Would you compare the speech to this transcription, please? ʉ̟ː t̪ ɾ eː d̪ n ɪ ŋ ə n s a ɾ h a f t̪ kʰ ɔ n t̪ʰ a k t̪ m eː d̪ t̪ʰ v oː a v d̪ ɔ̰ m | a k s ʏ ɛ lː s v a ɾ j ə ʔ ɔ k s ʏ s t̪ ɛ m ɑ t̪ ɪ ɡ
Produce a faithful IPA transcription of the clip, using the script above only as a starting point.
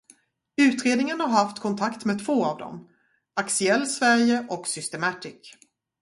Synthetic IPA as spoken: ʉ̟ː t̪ ɾ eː d̪ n ɪ ŋ ə n h a ɾ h a f t̪ kʰ ɔ n t̪ʰ a k t̪ m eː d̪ t̪ʰ v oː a v d̪ ɔ̰ m | a k s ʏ ɛ lː s v æ ɾ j ə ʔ ɔ k s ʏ s t̪ ɛ m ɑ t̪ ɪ k